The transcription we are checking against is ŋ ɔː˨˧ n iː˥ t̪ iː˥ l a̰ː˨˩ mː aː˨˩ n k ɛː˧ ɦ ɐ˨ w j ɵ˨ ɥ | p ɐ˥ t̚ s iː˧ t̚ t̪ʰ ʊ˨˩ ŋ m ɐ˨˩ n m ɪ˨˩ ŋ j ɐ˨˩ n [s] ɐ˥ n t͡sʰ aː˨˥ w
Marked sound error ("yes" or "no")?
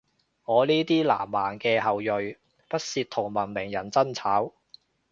yes